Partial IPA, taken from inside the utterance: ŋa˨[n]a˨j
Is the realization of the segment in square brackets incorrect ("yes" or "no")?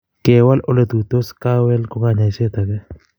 yes